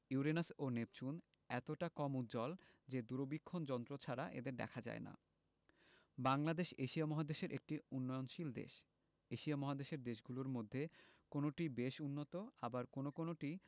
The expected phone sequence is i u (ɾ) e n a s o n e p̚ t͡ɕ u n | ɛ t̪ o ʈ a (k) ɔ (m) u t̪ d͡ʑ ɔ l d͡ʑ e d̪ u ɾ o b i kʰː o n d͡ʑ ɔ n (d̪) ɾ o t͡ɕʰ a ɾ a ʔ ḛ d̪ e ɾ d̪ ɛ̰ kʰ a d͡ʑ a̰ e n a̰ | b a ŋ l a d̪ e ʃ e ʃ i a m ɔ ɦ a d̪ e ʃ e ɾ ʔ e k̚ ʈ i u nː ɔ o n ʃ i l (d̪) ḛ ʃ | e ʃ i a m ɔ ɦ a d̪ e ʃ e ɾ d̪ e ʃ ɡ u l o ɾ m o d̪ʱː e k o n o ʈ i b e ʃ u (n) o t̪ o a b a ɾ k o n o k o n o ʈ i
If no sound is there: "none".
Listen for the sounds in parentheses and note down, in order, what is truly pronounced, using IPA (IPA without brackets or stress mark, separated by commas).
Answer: ɾ, k, m, t̪, d̪, nː